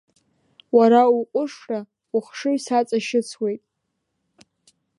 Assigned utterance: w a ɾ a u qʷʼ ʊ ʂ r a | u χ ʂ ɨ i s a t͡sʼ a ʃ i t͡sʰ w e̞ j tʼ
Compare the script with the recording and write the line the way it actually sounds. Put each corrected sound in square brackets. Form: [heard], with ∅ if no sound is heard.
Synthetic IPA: w a ɾ a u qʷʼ ʊ ʂ r a | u χ ʂ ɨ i s a t͡sʼ a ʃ [ɪ] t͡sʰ w e̞ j tʼ